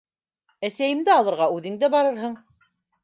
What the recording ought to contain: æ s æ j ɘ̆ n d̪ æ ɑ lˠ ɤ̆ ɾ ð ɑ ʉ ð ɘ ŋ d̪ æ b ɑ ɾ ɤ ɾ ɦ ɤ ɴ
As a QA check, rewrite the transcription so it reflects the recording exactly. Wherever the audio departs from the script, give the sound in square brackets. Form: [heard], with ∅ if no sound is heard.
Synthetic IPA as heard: æ s æ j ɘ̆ [m] d̪ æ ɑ lˠ ɤ̆ ɾ [ʁ] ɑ ʉ ð ɘ ŋ d̪ æ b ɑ ɾ ɤ ɾ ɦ ɤ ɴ

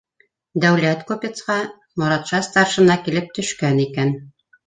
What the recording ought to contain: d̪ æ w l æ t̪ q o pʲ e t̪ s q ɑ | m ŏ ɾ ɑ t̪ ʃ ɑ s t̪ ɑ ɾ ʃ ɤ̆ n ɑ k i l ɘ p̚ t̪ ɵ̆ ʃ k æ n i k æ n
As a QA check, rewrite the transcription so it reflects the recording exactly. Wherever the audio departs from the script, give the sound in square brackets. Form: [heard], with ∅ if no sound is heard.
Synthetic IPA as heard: d̪ æ w l æ t̪ [k] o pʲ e t̪ s q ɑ | m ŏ ɾ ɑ t̪ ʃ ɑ s t̪ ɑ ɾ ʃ ɤ̆ n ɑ k i l ɘ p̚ t̪ ɵ̆ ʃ k æ n i k æ n

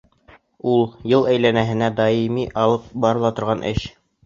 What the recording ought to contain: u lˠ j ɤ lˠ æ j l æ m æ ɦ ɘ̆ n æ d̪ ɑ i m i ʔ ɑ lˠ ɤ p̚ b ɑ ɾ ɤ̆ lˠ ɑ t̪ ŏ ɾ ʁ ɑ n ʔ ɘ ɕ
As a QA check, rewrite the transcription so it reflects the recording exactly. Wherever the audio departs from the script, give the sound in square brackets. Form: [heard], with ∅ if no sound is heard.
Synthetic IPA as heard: u lˠ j ɤ lˠ æ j l æ [n] æ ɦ ɘ̆ n æ d̪ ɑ i m i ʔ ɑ lˠ ɤ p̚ b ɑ ɾ ɤ̆ lˠ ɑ t̪ ŏ ɾ ʁ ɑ n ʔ ɘ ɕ

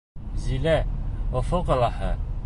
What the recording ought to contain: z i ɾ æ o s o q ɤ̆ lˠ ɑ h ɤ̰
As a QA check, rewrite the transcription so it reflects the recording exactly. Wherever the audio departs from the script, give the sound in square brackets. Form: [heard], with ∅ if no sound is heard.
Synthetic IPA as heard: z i [l] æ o [f] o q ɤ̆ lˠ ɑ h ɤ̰

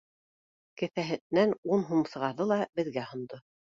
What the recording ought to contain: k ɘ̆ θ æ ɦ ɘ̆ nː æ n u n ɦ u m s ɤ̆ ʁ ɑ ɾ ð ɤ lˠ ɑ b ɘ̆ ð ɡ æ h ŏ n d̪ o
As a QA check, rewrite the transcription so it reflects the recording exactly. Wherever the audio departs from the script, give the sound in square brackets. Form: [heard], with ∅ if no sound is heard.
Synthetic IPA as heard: k ɘ̆ θ æ ɦ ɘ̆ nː æ n u n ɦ u m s ɤ̆ ʁ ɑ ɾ ð ɤ lˠ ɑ b ɘ̆ ð ɡ æ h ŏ n d̪ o

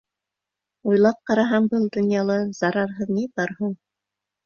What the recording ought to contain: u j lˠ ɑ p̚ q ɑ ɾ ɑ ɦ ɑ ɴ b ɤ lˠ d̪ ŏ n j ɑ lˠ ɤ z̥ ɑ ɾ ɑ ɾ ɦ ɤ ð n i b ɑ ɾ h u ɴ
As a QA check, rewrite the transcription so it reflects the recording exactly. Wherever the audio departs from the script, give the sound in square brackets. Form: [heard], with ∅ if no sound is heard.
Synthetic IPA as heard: u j lˠ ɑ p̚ q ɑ ɾ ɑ ɦ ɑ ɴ b ɤ lˠ d̪ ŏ n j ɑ lˠ ɤ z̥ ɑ ɾ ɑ ɾ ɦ ɤ ð n i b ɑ ɾ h u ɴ

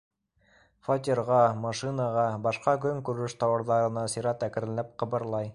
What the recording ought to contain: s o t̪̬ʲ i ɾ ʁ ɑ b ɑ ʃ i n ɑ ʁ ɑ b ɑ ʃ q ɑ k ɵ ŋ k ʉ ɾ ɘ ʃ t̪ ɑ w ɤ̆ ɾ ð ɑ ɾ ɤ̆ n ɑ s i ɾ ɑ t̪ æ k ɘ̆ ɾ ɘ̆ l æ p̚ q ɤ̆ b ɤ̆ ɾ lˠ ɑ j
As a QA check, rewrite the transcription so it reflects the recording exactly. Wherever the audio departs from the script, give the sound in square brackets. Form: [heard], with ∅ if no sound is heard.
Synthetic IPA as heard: [f] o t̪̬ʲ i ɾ ʁ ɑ [m] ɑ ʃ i n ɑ ʁ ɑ b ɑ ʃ q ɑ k ɵ ŋ k ʉ ɾ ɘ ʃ t̪ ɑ w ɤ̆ ɾ ð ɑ ɾ ɤ̆ n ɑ s i ɾ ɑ t̪ æ k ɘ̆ ɾ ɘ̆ l æ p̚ q ɤ̆ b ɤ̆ ɾ lˠ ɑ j

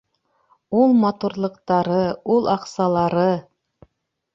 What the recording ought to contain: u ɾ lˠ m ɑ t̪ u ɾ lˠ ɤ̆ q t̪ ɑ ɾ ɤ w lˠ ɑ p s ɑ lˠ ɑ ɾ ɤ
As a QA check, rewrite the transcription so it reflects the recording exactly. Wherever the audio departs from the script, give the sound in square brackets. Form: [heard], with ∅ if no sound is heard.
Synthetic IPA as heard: u [∅] lˠ m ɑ t̪ u ɾ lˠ ɤ̆ q t̪ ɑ ɾ ɤ [u] lˠ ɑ [q] s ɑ lˠ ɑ ɾ ɤ

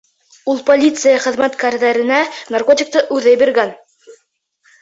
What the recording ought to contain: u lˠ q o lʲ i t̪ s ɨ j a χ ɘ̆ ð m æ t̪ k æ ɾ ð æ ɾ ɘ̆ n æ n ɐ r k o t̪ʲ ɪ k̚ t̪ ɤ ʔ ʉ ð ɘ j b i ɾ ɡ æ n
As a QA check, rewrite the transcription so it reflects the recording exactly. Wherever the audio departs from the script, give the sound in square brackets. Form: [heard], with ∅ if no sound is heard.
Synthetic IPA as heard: u lˠ [p] o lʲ i t̪ s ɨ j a χ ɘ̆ ð m æ t̪ k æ ɾ ð æ ɾ ɘ̆ n æ n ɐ r k o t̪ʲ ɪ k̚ t̪ ɤ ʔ ʉ ð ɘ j b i ɾ ɡ æ n

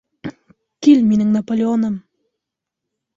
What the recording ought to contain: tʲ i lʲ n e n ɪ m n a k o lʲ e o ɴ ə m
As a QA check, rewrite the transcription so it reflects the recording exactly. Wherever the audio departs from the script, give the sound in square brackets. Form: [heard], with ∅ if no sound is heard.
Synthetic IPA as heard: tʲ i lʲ [m] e n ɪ [ŋ] n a [p] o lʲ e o [n] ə m

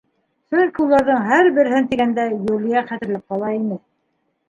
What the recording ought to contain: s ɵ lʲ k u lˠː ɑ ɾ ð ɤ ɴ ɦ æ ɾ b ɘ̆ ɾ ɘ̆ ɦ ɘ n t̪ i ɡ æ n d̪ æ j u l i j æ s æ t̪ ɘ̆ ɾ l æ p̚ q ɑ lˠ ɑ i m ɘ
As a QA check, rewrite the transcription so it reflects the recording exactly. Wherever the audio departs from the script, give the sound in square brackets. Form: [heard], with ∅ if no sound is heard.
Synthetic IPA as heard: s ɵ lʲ k u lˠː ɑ ɾ ð ɤ ɴ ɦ æ ɾ b ɘ̆ ɾ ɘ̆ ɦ ɘ n t̪ i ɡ æ n d̪ æ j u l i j æ [χ] æ t̪ ɘ̆ ɾ l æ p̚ q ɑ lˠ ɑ i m ɘ

